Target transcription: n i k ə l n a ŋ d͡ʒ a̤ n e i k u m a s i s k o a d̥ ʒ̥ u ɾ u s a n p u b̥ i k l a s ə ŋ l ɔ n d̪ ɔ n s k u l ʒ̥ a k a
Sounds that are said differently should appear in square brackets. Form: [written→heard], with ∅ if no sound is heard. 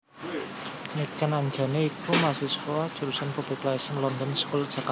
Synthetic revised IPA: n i k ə [l→∅] n a [ŋ→ɲ] d͡ʒ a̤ n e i k u m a s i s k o a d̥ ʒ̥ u ɾ u s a n p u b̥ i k l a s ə [ŋ→n] l ɔ n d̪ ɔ n s k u l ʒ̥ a k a